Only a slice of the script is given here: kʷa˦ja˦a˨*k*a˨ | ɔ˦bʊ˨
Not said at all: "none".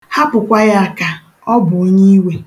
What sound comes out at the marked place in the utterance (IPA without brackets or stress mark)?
k